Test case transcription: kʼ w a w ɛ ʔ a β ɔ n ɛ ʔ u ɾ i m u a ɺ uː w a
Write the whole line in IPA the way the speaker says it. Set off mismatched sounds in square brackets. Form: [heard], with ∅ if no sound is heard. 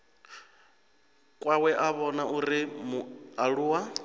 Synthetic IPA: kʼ w a w ɛ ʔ a β ɔ n [a] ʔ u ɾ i m u a ɺ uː w a